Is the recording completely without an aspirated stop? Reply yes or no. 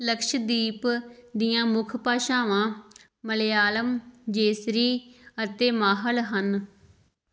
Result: no